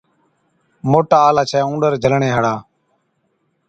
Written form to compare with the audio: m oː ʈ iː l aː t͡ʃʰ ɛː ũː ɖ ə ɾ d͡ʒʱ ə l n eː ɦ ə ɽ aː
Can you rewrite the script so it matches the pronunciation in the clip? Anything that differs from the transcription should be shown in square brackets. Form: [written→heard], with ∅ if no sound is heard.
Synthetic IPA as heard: m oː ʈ [iː→aː] l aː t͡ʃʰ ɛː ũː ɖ ə ɾ d͡ʒʱ ə l [n→ɳ] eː ɦ ə ɽ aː